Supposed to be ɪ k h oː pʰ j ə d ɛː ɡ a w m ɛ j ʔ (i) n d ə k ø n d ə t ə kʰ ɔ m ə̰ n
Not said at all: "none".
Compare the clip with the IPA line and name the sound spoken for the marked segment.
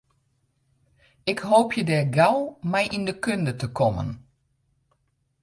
i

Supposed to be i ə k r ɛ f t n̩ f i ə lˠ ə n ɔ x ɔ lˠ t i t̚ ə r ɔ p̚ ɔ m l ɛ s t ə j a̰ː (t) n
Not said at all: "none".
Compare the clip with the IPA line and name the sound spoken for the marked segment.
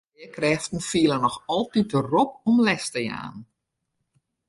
none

